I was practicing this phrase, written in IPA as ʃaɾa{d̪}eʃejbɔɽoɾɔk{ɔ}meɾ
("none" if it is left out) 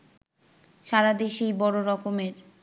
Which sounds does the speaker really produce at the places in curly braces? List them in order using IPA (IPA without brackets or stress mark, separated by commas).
d̪, o